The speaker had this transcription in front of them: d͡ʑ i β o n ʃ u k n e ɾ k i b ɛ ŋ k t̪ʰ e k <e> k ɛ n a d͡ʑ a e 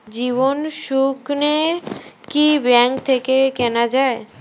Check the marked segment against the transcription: correct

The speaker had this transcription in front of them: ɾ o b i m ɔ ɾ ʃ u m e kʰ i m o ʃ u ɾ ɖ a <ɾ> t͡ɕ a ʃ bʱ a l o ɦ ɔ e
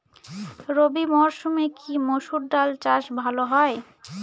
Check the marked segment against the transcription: incorrect: l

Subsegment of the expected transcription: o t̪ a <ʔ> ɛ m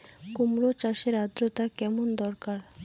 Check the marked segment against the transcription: incorrect: k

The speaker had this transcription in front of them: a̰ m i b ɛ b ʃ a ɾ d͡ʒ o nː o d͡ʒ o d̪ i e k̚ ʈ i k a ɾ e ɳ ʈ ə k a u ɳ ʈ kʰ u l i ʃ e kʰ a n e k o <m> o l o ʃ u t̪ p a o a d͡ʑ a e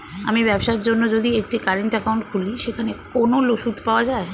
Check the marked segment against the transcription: incorrect: n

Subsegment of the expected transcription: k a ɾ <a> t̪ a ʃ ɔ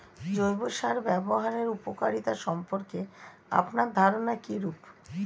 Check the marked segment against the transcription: incorrect: i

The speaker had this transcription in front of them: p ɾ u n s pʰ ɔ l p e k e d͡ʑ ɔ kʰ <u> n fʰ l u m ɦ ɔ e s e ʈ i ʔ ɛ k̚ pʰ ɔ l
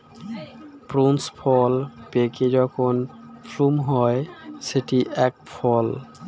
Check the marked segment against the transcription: incorrect: o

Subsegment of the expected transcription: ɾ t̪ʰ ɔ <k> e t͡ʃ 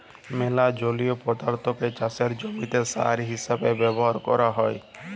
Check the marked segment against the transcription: correct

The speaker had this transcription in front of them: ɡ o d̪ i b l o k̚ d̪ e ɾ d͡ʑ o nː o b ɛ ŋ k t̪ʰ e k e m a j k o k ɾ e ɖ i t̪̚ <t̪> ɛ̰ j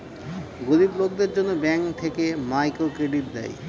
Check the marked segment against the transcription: incorrect: d̪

